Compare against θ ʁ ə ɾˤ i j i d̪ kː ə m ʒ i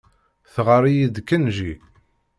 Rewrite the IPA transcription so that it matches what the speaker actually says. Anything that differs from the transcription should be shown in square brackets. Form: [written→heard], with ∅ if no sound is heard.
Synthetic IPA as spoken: θ ʁ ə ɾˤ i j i d̪ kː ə [m→n] ʒ i